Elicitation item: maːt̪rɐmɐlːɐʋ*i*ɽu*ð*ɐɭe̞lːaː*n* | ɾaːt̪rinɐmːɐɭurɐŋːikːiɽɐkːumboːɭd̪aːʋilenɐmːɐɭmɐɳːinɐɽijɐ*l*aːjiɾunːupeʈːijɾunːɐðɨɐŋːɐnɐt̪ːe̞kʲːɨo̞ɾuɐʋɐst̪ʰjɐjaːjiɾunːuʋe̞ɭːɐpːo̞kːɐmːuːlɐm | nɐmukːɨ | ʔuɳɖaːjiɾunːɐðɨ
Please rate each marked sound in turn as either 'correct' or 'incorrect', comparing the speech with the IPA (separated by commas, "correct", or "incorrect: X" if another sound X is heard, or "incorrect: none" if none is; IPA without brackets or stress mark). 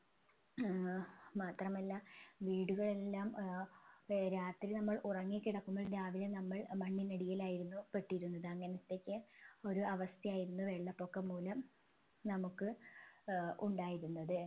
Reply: incorrect: iː, incorrect: ɣ, incorrect: m, correct